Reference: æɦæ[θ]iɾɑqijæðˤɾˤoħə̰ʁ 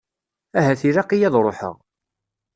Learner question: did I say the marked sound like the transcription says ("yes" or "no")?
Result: yes